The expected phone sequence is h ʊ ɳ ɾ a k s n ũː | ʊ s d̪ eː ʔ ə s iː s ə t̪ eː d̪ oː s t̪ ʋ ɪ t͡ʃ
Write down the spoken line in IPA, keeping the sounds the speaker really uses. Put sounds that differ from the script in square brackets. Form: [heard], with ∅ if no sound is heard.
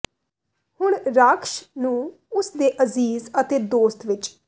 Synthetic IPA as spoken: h ʊ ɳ ɾ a k [ʃ] n ũː | ʊ s d̪ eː ʔ ə [z] iː [z] ə t̪ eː d̪ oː s t̪ ʋ ɪ t͡ʃ